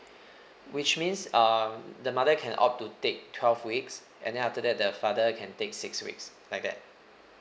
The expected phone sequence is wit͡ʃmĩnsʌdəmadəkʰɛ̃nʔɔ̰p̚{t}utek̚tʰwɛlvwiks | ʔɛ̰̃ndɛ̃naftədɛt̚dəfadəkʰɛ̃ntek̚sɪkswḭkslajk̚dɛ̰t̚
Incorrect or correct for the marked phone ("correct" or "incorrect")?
correct